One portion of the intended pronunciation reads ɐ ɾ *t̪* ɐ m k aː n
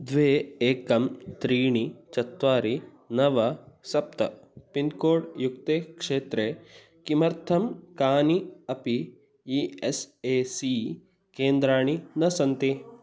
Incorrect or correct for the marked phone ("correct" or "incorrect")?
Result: incorrect